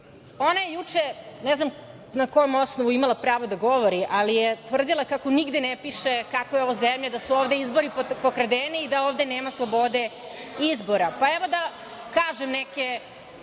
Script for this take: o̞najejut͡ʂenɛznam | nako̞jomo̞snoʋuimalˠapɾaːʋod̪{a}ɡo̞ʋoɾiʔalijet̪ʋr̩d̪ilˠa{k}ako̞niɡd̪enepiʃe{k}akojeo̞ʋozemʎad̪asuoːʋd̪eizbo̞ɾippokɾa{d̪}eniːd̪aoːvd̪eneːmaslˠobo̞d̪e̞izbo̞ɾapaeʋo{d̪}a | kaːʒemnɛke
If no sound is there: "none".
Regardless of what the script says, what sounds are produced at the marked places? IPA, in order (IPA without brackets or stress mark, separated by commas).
a, k, k, d̪, d̪